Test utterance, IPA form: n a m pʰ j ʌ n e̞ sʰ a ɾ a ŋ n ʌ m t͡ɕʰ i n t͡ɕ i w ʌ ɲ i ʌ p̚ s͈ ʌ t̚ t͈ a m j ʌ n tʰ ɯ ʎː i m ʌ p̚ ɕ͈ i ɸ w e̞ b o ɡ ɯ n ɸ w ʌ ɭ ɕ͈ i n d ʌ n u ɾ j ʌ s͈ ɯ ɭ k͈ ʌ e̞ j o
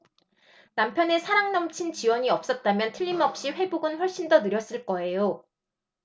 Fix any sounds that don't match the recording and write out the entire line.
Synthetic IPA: n a m pʰ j ʌ n e̞ sʰ a ɾ a ŋ n ʌ m t͡ɕʰ i n t͡ɕ i w ʌ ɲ i ʌ p̚ s͈ ʌ t̚ t͈ a m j ʌ n tʰ ɯ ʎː i m ʌ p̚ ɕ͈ i ɸ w e̞ b o ɡ ɯ n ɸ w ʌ ɭ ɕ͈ i n d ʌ n ɯ ɾ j ʌ s͈ ɯ ɭ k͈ ʌ e̞ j o

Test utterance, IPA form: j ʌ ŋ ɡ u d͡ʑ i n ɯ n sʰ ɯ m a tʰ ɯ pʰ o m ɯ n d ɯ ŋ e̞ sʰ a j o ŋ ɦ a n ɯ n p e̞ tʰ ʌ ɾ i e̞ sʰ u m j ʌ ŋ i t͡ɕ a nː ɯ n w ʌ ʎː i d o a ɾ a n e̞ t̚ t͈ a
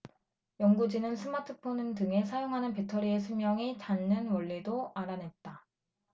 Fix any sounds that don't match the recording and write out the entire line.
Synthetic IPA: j ʌ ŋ ɡ u d͡ʑ i n ɯ n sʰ ɯ m a tʰ ɯ pʰ o n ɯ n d ɯ ŋ e̞ sʰ a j o ŋ ɦ a n ɯ n p e̞ tʰ ʌ ɾ i e̞ sʰ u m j ʌ ŋ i t͡ɕ a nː ɯ n w ʌ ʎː i d o a ɾ a n e̞ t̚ t͈ a

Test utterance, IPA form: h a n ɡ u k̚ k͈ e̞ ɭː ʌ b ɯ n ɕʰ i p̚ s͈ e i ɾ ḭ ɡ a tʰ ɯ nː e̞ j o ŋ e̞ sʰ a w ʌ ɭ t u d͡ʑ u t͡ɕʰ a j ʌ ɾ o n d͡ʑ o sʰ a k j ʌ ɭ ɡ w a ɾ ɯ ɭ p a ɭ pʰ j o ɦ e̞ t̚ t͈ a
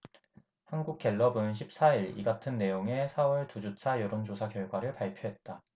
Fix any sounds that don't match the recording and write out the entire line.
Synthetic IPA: h a n ɡ u k̚ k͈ e̞ ɭː ʌ b ɯ n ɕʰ i p̚ s͈ a i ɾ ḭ ɡ a tʰ ɯ nː e̞ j o ŋ e̞ sʰ a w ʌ ɭ t u d͡ʑ u t͡ɕʰ a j ʌ ɾ o n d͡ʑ o sʰ a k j ʌ ɭ ɡ w a ɾ ɯ ɭ p a ɭ pʰ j o ɦ e̞ t̚ t͈ a

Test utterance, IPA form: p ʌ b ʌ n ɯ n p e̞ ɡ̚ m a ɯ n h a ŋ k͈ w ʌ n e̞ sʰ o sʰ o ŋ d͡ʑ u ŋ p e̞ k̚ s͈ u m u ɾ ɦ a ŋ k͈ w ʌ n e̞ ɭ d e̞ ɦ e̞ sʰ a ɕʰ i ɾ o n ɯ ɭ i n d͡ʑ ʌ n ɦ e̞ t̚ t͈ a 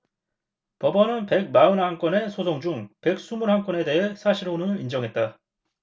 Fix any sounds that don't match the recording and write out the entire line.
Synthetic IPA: p ʌ b ʌ n ɯ n p e̞ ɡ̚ m a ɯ n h a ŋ k͈ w ʌ n e̞ sʰ o sʰ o ŋ d͡ʑ u ŋ p e̞ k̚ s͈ u m u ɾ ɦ a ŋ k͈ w ʌ n e̞ d e̞ ɦ e̞ sʰ a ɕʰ i ɾ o n ɯ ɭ i n d͡ʑ ʌ ŋ ɦ e̞ t̚ t͈ a

